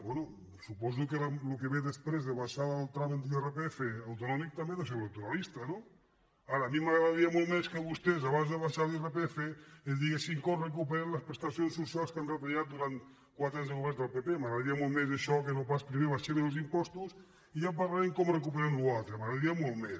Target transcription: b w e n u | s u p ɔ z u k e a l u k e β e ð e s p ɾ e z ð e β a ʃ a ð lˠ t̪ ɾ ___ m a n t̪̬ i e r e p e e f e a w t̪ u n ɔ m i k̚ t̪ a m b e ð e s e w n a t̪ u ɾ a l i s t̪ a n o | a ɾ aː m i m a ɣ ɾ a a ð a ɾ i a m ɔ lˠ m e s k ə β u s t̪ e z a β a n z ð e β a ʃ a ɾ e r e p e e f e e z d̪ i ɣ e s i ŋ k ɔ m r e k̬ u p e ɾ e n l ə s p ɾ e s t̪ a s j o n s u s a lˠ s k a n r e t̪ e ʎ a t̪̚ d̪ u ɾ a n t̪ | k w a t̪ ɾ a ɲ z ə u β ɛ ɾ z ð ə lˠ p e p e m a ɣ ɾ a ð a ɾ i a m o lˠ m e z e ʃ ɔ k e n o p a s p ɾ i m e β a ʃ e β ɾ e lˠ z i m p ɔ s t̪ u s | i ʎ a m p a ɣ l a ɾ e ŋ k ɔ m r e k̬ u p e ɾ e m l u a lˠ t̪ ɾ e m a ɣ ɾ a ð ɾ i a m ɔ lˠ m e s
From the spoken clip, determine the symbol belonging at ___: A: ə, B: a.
B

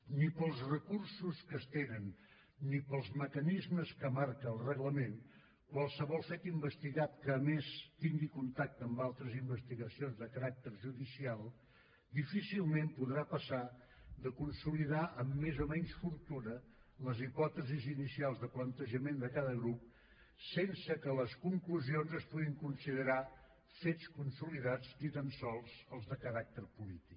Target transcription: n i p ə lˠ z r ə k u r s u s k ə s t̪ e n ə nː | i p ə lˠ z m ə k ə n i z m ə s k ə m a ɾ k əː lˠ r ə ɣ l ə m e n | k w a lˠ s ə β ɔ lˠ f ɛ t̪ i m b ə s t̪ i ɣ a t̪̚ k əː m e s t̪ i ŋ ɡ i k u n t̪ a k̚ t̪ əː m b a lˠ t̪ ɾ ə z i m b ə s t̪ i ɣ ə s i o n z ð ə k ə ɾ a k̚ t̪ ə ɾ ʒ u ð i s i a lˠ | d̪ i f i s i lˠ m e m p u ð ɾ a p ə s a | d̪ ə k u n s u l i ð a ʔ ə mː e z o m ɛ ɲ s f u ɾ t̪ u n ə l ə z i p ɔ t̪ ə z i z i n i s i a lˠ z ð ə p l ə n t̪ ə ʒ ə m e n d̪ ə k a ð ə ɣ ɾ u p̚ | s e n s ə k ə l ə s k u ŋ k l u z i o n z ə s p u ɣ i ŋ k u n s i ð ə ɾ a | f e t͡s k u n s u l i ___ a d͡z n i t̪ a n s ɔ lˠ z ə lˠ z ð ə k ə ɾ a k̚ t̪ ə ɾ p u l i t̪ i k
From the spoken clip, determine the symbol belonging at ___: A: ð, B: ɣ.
A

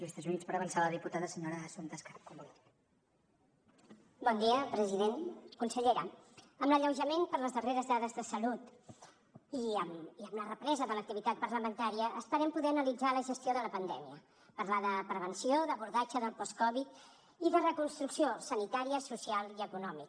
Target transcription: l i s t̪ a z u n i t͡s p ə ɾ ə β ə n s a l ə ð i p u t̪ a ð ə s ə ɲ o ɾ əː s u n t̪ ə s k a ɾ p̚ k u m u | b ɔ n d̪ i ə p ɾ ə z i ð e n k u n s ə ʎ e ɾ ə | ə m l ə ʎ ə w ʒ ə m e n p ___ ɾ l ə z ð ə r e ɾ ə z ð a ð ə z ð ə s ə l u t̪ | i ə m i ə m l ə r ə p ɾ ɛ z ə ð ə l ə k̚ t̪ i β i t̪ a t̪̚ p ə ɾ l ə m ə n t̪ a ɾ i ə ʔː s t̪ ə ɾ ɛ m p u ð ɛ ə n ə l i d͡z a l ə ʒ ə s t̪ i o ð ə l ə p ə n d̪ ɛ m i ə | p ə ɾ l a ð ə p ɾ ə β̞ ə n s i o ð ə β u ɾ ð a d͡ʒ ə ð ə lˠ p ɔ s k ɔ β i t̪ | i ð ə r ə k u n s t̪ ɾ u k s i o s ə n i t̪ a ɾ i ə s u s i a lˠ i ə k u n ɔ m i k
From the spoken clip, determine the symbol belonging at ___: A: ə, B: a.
A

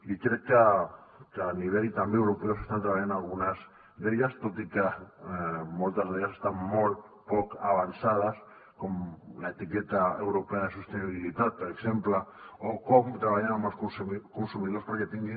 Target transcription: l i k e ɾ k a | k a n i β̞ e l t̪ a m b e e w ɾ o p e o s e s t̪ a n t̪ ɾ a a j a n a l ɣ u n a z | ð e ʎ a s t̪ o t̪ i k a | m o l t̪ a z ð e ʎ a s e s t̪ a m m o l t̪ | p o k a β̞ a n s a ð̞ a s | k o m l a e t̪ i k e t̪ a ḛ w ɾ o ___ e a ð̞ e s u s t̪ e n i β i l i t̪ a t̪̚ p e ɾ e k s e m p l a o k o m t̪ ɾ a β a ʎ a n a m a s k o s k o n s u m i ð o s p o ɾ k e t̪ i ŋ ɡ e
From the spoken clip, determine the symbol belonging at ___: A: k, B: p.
B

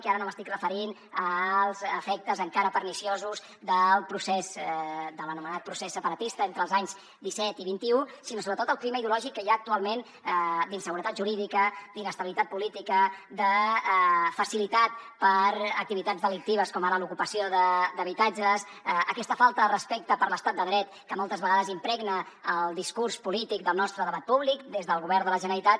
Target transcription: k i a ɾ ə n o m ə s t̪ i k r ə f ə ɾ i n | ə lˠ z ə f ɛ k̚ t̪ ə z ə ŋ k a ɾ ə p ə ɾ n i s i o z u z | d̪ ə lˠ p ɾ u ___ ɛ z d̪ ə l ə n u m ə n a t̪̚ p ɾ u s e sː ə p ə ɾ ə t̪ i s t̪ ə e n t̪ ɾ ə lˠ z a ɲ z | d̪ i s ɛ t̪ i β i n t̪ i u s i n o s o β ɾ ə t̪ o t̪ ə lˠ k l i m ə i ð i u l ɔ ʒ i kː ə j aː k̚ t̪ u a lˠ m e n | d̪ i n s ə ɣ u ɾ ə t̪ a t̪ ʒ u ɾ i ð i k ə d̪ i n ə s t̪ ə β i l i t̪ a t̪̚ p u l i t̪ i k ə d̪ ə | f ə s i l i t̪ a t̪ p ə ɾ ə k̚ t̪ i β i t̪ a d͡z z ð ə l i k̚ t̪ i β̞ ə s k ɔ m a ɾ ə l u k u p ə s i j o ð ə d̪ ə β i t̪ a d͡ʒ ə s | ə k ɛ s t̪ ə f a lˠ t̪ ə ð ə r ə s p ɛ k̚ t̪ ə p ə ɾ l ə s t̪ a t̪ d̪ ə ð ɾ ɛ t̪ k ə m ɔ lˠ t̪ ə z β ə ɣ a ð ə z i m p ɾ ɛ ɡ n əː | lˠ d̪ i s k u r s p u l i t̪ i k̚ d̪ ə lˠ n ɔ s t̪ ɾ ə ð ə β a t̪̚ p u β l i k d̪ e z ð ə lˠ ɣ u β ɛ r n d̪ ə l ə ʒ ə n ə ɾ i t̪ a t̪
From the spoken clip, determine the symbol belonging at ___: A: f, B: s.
B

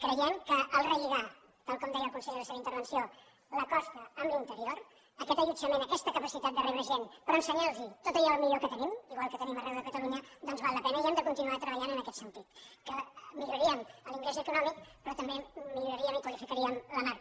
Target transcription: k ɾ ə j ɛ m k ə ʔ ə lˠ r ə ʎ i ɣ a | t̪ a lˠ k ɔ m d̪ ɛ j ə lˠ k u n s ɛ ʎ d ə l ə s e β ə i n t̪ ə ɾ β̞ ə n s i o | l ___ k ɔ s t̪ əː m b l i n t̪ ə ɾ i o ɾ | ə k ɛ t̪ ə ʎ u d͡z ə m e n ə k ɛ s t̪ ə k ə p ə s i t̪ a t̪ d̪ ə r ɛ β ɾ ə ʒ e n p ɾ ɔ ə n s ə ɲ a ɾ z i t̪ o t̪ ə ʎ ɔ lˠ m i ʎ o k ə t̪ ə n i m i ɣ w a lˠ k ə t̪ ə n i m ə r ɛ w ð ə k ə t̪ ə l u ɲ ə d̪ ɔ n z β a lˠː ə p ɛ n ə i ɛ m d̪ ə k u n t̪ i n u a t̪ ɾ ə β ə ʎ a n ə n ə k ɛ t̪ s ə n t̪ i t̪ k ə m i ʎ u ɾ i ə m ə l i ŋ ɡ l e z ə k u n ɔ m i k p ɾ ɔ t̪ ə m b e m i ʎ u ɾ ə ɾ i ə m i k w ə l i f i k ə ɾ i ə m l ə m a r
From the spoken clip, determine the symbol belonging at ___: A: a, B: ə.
B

